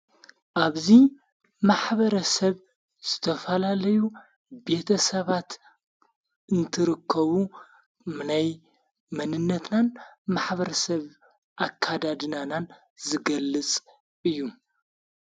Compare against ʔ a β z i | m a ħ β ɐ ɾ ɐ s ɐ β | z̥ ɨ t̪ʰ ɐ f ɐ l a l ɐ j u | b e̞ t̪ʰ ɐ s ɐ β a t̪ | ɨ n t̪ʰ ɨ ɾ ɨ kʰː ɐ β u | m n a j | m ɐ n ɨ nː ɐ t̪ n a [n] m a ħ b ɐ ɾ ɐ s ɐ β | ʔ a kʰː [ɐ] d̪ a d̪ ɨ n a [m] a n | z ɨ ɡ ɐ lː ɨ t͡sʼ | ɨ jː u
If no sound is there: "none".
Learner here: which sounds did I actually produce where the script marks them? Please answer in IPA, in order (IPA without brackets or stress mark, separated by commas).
n, a, n